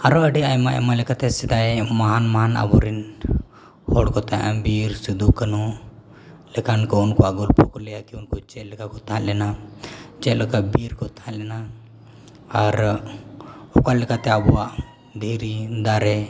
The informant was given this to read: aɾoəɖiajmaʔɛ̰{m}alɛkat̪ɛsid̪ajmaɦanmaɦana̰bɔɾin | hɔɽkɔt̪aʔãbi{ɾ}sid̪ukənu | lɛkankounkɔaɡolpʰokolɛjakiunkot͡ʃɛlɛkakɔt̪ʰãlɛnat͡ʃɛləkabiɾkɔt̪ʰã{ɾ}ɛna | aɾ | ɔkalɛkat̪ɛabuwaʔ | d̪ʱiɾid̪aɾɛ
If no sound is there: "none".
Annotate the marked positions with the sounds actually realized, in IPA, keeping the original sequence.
m, ɾ, l

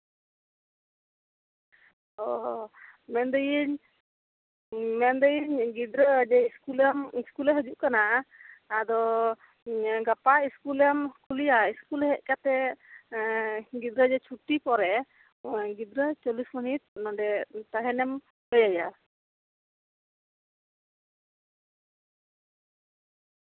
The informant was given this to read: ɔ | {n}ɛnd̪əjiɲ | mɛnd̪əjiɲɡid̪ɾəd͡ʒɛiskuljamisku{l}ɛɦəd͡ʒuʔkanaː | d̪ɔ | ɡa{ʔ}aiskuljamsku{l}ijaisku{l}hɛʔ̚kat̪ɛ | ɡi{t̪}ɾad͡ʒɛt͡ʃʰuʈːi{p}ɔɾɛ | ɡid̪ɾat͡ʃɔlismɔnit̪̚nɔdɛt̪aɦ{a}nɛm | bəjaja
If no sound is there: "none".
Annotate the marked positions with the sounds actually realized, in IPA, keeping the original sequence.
m, l, p, l, l, d̪, p, ɛ

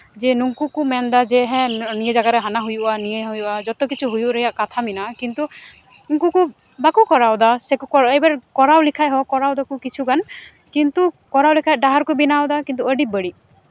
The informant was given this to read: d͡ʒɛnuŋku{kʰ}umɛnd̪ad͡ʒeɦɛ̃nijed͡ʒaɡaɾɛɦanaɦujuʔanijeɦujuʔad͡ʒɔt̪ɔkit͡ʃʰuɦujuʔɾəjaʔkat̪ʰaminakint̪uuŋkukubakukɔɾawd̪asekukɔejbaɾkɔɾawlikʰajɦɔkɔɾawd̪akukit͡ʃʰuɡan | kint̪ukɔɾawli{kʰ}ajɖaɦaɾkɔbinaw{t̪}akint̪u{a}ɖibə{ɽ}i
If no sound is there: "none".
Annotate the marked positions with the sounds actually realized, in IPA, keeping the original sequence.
k, kʰ, d̪, ə, ɽ

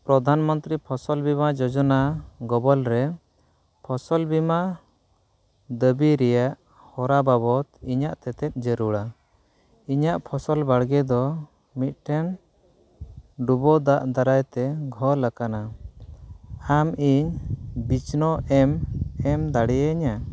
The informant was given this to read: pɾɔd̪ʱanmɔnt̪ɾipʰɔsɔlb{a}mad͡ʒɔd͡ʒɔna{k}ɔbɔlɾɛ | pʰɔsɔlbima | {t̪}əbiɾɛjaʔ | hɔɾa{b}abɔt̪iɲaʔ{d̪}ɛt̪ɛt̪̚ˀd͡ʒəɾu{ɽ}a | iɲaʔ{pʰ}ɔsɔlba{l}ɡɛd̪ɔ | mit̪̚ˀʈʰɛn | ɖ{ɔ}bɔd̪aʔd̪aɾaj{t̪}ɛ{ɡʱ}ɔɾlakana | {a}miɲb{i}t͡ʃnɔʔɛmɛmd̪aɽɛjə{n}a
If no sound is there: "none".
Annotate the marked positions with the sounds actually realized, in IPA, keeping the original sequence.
i, ɡ, d̪, b, t̪, ɽ, pʰ, ɽ, u, t̪, ɡʱ, a, i, ɲ

